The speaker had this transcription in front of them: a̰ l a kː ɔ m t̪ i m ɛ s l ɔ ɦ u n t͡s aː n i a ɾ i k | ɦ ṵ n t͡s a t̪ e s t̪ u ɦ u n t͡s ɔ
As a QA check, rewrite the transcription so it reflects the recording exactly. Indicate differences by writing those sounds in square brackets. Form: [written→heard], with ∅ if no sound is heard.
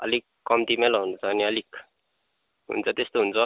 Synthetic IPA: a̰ l [a→i] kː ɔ m t̪ i m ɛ [s→∅] l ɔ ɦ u n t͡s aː n i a [ɾ→l] i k | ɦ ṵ n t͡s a t̪ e s t̪ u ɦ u n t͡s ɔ